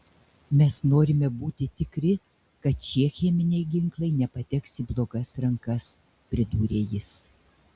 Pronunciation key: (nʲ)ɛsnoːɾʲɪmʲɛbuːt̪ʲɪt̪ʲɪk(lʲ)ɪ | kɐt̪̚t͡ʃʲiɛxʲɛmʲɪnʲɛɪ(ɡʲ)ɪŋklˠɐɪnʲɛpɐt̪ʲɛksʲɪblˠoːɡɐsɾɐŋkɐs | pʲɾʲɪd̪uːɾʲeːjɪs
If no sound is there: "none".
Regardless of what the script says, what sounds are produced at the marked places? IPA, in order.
mʲ, ɾʲ, ɡʲ

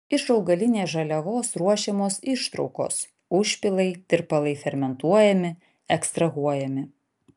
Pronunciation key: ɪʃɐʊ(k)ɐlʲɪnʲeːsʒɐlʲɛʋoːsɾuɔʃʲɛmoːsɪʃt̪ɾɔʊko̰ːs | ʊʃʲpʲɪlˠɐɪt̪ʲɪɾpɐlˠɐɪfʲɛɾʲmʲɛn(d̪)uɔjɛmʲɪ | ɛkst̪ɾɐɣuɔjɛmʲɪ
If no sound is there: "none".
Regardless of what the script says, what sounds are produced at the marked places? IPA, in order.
ɡ, t̪

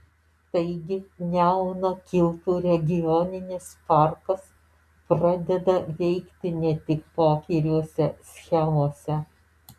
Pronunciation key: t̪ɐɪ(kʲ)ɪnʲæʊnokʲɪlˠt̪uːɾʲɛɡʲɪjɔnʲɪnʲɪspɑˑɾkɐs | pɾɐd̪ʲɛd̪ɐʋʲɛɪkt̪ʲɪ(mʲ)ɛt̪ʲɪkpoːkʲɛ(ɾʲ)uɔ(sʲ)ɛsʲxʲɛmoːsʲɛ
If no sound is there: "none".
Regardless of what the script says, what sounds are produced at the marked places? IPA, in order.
ɡʲ, nʲ, ɾʲ, sʲ

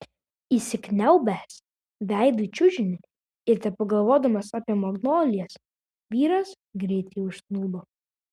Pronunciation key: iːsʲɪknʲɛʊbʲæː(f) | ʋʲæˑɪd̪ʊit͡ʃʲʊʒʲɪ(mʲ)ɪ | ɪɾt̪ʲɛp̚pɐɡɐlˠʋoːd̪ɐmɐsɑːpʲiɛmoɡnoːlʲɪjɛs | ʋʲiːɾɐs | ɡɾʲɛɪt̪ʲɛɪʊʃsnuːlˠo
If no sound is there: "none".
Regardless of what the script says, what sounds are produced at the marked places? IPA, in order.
s, nʲ

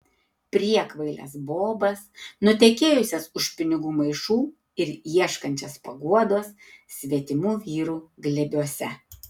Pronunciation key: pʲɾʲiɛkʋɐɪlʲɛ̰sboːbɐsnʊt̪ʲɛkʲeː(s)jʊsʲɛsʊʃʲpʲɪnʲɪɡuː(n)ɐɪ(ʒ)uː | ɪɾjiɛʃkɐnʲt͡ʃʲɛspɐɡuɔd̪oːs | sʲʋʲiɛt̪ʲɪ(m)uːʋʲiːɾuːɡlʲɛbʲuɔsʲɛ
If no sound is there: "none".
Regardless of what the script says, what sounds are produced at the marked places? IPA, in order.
none, m, ʃ, m

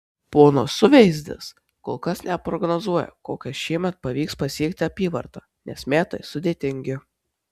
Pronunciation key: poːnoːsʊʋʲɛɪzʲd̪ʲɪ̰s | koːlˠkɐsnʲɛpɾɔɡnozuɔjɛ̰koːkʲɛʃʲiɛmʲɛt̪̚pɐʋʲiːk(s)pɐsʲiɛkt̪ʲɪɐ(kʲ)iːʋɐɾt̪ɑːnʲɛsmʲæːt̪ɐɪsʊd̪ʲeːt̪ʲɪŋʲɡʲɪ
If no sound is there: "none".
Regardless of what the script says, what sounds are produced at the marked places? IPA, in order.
s, pʲ

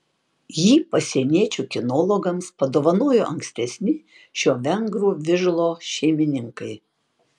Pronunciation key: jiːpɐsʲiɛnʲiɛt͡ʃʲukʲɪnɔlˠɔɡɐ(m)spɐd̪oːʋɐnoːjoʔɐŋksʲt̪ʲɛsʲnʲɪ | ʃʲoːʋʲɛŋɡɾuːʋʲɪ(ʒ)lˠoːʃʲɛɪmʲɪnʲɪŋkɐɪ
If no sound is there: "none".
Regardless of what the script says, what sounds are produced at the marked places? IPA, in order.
m, ʒ

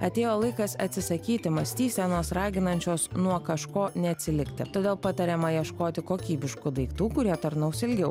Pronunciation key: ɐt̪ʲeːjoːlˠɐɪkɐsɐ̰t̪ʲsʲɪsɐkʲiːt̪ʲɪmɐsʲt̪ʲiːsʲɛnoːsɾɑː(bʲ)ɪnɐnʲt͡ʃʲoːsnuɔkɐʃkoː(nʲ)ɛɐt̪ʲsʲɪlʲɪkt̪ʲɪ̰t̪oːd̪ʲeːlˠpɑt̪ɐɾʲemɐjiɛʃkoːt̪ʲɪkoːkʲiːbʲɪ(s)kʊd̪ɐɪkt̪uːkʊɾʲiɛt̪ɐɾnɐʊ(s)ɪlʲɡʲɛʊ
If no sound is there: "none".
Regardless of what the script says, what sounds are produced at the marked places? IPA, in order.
ɡʲ, nʲ, ʃ, s

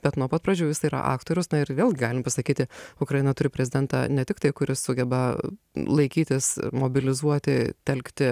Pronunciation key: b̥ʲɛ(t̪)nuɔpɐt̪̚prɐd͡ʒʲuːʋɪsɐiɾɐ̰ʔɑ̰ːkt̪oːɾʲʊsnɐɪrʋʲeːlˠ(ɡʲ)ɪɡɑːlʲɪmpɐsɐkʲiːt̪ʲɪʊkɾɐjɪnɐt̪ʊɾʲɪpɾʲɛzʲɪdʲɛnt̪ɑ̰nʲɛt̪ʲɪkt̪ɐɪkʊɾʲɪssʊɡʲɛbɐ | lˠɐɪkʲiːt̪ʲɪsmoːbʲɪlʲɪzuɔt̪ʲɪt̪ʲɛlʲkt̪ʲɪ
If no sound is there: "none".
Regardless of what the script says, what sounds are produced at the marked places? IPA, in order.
t̪, ɡʲ

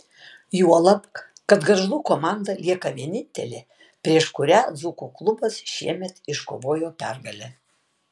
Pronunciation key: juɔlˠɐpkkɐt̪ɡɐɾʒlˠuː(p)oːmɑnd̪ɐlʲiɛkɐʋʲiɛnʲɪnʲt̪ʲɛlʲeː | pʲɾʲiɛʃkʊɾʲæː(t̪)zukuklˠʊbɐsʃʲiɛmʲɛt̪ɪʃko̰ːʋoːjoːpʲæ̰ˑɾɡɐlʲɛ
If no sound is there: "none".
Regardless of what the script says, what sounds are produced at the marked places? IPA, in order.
k, none

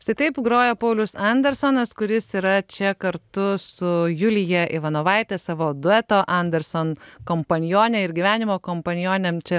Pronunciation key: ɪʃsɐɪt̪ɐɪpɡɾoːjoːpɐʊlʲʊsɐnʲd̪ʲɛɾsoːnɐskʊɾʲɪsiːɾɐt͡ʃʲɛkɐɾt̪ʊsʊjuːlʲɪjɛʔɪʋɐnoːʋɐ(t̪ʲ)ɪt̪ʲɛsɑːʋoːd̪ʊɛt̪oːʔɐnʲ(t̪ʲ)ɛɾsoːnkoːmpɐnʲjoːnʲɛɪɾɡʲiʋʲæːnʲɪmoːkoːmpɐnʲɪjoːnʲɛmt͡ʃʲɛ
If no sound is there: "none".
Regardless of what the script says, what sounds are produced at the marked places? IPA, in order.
none, d̪ʲ

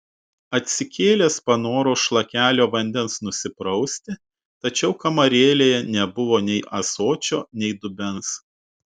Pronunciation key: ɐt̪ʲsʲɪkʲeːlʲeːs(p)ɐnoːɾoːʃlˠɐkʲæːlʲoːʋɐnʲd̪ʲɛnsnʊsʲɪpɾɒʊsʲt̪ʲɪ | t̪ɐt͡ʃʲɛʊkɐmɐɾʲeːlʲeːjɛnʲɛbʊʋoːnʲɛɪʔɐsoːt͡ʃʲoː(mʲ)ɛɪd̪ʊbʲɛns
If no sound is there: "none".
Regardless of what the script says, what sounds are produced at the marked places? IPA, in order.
p, nʲ

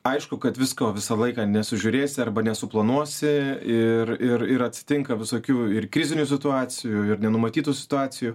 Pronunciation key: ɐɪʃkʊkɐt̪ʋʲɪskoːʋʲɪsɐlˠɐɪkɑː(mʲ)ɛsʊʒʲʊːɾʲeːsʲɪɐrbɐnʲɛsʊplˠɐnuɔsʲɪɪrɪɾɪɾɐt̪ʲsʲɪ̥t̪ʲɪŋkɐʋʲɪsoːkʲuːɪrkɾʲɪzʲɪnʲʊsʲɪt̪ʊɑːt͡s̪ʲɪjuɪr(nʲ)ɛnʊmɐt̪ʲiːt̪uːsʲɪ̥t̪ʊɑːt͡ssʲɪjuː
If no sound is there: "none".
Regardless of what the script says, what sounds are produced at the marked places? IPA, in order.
nʲ, nʲ

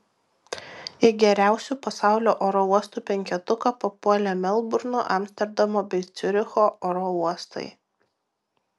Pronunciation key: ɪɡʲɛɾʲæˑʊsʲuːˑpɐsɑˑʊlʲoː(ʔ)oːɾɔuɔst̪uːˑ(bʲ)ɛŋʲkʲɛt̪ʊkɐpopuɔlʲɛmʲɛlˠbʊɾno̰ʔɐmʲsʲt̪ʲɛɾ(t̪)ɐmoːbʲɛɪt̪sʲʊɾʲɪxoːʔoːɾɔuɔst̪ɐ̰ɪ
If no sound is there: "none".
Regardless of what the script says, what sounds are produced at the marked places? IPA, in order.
ʔ, pʲ, d̪

